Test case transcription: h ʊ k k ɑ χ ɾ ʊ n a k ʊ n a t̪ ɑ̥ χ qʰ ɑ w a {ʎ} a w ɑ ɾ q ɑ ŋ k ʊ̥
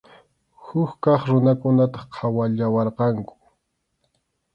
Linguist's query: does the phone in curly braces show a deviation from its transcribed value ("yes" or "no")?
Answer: no